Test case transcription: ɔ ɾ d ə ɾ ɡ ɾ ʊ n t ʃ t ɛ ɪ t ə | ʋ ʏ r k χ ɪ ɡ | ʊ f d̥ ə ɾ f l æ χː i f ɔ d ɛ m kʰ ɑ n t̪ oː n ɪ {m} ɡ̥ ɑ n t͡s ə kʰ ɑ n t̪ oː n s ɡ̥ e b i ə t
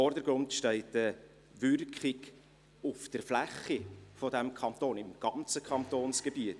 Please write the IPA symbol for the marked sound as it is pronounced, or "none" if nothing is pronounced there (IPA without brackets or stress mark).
m